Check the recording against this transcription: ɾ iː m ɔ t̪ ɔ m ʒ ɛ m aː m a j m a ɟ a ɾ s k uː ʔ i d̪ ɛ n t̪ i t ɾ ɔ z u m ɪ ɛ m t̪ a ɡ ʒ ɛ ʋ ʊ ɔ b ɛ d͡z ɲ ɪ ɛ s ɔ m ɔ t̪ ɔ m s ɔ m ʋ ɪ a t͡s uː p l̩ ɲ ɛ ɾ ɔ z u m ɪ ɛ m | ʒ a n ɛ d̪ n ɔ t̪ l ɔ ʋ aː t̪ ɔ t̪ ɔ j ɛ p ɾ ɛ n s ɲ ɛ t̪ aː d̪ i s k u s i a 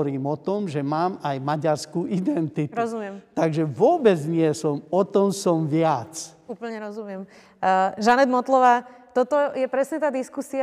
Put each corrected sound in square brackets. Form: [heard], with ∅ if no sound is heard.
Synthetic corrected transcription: ɾ iː m ɔ t̪ ɔ m ʒ ɛ m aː m a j m a ɟ a ɾ s k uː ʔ i d̪ ɛ n t̪ i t ɾ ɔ z u m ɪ ɛ m t̪ a ɡ ʒ ɛ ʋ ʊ ɔ b ɛ d͡z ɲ ɪ ɛ s ɔ m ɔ t̪ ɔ m s ɔ m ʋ ɪ a t͡s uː p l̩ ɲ ɛ ɾ ɔ z u m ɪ ɛ m | ʒ a n ɛ d̪ [m] ɔ t̪ l ɔ ʋ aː t̪ ɔ t̪ ɔ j ɛ p ɾ ɛ [∅] s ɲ ɛ t̪ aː d̪ i s k u s i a